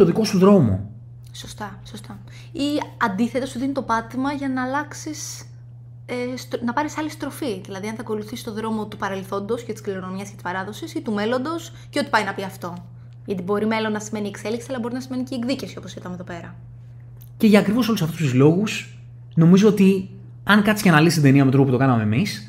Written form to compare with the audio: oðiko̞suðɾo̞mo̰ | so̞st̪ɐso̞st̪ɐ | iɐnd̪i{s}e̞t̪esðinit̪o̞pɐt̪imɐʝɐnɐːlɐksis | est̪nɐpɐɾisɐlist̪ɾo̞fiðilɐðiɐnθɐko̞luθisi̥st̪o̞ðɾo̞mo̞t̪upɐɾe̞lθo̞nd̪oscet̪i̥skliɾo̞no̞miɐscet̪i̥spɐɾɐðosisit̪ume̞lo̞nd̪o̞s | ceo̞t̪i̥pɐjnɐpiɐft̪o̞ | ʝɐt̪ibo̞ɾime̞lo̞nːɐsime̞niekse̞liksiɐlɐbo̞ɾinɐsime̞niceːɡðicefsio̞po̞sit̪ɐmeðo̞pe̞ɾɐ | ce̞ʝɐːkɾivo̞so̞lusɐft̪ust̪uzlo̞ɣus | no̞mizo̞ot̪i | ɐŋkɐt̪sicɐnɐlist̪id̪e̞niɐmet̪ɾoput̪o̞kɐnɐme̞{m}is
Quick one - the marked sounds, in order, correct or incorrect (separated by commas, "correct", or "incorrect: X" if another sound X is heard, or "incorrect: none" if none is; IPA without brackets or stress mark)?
incorrect: θ, correct